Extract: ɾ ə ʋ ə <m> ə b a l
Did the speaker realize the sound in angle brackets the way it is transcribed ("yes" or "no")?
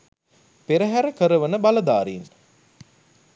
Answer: no